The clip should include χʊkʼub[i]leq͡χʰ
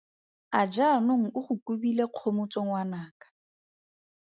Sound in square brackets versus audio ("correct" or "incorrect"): correct